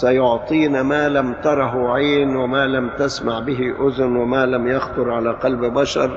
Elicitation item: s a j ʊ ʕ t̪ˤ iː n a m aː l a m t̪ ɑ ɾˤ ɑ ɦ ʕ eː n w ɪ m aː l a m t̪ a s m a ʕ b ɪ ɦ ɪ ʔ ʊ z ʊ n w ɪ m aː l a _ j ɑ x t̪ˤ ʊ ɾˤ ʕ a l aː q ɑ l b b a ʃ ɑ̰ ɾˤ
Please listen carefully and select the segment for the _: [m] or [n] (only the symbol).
m